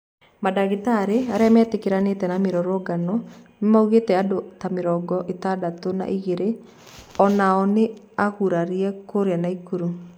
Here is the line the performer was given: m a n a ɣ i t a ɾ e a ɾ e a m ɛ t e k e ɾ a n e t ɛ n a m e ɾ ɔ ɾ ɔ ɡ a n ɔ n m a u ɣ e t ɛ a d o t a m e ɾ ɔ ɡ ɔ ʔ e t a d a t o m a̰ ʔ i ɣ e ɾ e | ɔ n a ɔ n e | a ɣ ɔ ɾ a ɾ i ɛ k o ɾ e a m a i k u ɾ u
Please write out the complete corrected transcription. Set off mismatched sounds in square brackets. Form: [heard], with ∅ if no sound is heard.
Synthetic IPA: m a [d] a ɣ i t a ɾ e a ɾ e a m ɛ t e k e ɾ a n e t ɛ n a m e ɾ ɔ ɾ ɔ ɡ a n ɔ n m a u ɣ e t ɛ a d o t a m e ɾ ɔ ɡ ɔ ʔ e t a d a t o [n] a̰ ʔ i ɣ e ɾ e | ɔ n a ɔ n e | a ɣ [u] ɾ a ɾ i ɛ k o ɾ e a [n] a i k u ɾ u